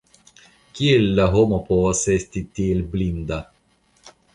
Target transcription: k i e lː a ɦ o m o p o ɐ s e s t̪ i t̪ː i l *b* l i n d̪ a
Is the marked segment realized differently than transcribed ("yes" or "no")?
no